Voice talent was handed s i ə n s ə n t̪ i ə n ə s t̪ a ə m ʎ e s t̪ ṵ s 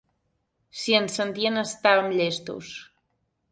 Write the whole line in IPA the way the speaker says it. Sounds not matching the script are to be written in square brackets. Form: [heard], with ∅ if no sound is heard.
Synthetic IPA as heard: s i ə n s ə n t̪ i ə n ə s t̪ a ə m ʎ e s t̪ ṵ s